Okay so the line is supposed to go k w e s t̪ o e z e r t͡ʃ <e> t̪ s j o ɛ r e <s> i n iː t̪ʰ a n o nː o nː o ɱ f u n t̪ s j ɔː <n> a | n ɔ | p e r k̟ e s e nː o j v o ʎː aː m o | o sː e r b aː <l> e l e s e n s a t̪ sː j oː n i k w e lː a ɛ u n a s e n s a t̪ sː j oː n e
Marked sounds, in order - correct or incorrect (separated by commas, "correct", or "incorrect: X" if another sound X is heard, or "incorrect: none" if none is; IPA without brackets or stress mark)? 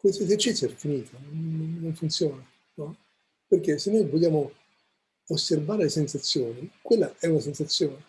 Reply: incorrect: i, incorrect: f, correct, incorrect: ɾ